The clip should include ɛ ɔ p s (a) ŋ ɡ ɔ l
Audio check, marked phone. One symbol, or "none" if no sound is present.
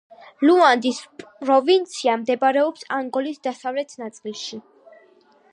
a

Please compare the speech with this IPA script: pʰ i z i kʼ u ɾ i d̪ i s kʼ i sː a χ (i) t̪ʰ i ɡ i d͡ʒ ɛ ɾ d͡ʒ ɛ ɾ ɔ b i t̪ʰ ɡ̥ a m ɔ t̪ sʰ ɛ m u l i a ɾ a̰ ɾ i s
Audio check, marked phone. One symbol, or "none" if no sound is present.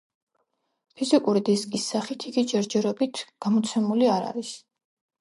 i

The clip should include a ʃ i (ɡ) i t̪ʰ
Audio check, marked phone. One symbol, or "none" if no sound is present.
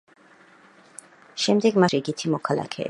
ɡ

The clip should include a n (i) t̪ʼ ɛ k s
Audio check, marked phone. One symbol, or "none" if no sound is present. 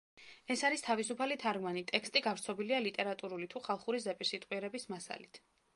i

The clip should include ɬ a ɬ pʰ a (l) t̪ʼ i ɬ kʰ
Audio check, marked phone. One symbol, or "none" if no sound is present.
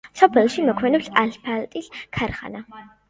l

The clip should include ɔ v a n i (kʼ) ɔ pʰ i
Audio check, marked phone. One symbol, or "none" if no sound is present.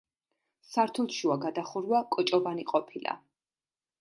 qʼ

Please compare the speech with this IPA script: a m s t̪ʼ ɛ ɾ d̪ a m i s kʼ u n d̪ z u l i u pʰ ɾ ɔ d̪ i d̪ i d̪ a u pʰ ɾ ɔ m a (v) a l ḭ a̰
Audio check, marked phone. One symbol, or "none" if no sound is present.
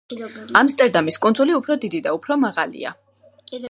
ʁ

